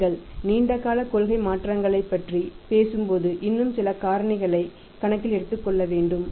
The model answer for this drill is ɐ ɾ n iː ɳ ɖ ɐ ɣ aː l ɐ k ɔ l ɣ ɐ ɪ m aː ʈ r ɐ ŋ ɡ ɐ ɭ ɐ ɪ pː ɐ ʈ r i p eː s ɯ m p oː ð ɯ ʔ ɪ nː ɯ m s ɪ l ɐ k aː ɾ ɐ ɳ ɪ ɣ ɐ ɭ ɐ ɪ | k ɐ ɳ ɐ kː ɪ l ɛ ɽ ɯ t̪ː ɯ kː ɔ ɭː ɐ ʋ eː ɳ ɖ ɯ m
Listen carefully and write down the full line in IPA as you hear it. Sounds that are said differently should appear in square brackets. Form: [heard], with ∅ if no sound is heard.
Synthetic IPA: ɐ [ɭ] n iː ɳ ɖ ɐ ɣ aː l ɐ k ɔ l ɣ ɐ ɪ m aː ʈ r ɐ ŋ ɡ ɐ ɭ ɐ ɪ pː ɐ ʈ r i p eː s ɯ m p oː ð ɯ ʔ ɪ nː ɯ m s ɪ l ɐ k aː ɾ ɐ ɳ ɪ ɣ ɐ ɭ ɐ ɪ | k ɐ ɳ ɐ kː ɪ l ɛ ɽ ɯ t̪ː ɯ kː ɔ ɭː ɐ ʋ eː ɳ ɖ ɯ m